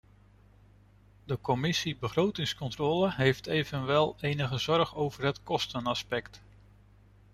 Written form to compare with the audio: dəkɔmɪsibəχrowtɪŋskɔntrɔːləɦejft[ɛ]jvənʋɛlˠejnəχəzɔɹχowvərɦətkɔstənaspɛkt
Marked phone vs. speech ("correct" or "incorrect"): incorrect